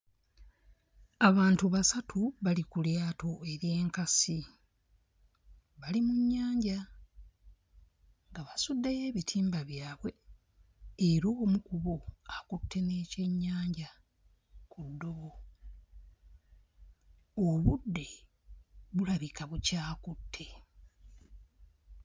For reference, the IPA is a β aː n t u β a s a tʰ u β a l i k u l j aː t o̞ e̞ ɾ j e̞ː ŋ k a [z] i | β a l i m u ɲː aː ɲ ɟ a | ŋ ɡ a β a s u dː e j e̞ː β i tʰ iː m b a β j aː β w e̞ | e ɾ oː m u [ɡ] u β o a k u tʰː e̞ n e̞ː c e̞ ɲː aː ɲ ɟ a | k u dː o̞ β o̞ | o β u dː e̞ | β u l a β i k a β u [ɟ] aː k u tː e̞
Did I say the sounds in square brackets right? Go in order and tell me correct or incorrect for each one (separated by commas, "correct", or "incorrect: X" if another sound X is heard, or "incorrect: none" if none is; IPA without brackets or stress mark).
incorrect: s, incorrect: k, incorrect: c